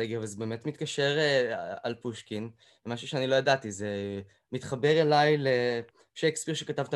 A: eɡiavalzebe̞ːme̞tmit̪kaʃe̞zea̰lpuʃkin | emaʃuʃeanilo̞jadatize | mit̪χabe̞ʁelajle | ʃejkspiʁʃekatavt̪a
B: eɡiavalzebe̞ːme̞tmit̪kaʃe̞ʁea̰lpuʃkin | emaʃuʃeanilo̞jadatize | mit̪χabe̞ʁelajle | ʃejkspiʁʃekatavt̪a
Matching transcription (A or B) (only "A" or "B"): B